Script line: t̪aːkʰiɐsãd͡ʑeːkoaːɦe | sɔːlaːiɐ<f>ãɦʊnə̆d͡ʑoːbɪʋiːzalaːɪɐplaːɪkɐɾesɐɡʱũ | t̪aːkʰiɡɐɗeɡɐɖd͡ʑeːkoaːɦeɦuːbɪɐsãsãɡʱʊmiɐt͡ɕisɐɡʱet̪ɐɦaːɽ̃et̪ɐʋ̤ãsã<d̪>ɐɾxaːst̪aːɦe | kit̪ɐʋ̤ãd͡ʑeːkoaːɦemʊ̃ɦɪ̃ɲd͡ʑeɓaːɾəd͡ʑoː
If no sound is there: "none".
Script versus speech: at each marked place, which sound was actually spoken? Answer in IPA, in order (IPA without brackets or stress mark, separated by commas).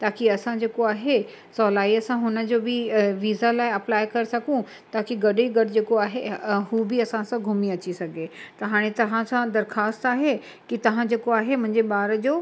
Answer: s, d̪